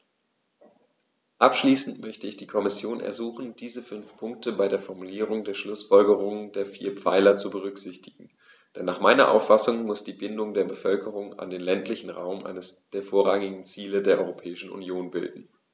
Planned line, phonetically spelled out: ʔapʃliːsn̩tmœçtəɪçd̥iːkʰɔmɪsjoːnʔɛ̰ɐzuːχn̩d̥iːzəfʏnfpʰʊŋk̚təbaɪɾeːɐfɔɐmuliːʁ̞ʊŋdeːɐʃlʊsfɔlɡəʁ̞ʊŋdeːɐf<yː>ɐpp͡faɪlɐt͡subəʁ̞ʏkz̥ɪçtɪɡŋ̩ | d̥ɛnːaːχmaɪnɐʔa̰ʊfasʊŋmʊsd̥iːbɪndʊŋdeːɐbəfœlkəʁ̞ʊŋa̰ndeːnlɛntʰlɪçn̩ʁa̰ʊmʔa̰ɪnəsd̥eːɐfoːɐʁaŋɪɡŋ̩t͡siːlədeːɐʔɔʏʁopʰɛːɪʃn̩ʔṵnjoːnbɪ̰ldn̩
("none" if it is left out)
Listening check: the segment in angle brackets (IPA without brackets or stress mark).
iː